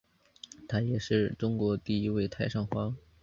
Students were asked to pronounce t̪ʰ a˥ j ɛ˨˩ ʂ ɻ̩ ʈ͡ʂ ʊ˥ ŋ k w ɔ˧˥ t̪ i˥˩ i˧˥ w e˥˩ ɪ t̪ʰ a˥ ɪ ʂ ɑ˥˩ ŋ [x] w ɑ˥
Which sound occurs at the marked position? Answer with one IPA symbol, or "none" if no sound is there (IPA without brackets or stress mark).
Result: x